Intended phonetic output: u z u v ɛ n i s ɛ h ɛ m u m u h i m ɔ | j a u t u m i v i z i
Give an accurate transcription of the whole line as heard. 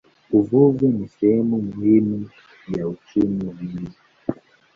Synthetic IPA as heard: u v u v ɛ n i s ɛ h ɛ m u m u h i m u | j a u t͡ʃ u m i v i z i